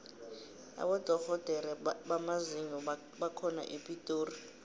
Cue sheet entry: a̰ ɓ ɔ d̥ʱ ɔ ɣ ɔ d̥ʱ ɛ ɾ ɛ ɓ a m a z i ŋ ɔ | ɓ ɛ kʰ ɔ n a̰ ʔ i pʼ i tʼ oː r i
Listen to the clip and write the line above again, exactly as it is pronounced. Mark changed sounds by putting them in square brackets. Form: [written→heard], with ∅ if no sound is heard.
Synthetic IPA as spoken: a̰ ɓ ɔ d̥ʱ ɔ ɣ ɔ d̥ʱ ɛ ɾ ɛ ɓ a m a z i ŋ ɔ | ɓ [ɛ→a] kʰ ɔ n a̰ ʔ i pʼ i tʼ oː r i